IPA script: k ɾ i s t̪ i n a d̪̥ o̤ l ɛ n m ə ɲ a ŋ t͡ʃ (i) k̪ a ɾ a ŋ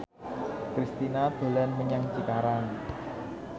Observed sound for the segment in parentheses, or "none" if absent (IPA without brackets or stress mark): i